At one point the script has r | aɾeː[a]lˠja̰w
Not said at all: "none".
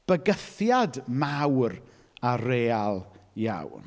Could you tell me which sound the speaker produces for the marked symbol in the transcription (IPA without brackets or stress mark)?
a